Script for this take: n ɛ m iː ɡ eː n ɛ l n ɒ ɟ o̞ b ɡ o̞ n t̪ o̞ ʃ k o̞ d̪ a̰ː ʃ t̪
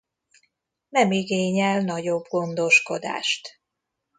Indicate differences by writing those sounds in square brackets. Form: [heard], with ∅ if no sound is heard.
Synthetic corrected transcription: n ɛ m [i] ɡ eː [ɲ] ɛ l n ɒ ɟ o̞ b ɡ o̞ n [d̪] o̞ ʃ k o̞ d̪ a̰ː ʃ t̪